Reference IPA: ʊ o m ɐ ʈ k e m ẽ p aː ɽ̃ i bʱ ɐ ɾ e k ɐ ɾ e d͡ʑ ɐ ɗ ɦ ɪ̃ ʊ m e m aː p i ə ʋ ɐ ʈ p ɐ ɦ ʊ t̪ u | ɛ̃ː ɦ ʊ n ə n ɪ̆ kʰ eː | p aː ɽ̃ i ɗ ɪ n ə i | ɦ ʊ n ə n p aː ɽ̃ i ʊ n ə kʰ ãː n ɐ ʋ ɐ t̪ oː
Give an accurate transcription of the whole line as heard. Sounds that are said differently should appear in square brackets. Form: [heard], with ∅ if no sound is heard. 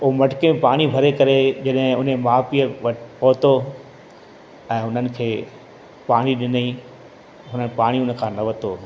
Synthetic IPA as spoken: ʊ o m ɐ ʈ k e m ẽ p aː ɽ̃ i bʱ ɐ ɾ e k ɐ ɾ e d͡ʑ ɐ ɗ ɦ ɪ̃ ʊ [n] e m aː p i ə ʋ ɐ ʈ p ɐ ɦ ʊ t̪ [o] | ɛ̃ː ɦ ʊ n ə n ɪ̆ kʰ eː | p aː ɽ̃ i ɗ ɪ n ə i | ɦ ʊ n ə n p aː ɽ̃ i ʊ n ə kʰ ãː n ɐ ʋ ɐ t̪ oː